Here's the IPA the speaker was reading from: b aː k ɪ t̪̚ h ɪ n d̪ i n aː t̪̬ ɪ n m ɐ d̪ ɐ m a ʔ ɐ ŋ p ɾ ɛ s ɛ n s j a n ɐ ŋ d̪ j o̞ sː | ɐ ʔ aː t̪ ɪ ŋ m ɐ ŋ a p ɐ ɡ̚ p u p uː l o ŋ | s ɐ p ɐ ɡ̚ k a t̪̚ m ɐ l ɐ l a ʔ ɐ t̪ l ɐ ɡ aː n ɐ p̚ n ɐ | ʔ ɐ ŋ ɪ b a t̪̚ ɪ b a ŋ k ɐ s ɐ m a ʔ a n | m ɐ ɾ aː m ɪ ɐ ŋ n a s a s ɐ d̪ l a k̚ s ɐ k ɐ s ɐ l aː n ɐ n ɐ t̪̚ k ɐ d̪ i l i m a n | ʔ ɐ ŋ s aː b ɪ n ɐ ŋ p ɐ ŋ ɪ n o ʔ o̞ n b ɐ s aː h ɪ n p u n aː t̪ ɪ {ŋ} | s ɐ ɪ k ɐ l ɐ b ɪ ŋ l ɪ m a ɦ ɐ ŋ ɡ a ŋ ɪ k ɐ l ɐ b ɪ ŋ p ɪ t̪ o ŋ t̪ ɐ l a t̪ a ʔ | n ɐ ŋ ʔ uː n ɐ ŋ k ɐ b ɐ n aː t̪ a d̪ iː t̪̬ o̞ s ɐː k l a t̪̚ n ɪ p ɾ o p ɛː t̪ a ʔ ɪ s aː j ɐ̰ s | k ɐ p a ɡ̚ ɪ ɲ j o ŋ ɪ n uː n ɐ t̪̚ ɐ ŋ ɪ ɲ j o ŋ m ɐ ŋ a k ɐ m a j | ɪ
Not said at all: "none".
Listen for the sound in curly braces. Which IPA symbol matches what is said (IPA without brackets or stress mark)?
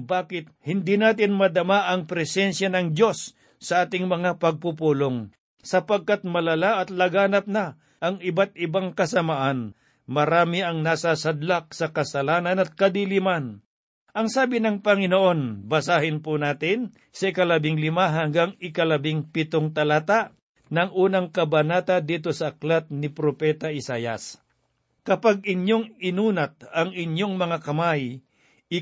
n